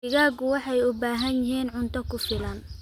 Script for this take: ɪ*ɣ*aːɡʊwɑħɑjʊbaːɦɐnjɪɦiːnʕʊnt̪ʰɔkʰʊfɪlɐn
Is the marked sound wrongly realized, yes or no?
no